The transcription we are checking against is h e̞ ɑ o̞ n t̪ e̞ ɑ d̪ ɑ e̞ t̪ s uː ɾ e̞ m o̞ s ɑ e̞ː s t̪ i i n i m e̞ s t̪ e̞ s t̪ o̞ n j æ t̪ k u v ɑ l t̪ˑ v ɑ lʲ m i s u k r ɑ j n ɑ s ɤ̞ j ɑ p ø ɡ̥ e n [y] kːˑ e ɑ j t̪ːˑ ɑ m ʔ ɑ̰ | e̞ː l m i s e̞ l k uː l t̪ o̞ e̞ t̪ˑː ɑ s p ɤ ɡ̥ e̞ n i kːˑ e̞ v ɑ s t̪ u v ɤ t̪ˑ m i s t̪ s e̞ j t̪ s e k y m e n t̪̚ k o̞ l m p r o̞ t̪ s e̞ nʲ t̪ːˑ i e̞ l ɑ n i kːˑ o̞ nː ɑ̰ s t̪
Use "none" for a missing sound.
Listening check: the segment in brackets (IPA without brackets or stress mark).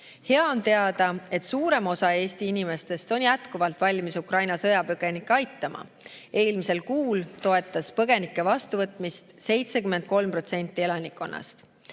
i